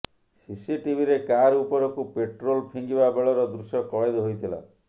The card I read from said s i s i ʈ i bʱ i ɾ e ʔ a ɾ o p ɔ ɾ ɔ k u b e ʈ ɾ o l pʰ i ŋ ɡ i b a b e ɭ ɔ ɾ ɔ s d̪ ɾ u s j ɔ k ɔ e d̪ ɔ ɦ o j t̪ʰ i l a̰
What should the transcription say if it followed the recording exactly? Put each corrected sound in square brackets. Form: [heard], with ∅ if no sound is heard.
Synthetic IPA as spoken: s i s i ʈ i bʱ i ɾ e [k] a ɾ [u] p ɔ ɾ ɔ k u [p] e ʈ ɾ o l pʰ i ŋ ɡ i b a b e ɭ ɔ ɾ ɔ [∅] d̪ ɾ u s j ɔ k ɔ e d̪ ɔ ɦ o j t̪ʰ i l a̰